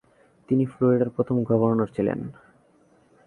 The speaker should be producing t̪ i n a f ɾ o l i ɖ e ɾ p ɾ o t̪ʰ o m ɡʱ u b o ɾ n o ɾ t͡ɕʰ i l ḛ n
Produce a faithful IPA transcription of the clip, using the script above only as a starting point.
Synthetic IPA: t̪ i n i f l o ɾ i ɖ a ɾ p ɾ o t̪ʰ o m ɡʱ ɔ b o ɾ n o ɾ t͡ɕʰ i l ḛ n